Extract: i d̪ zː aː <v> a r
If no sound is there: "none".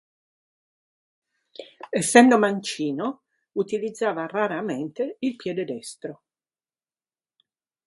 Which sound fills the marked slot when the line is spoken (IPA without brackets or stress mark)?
v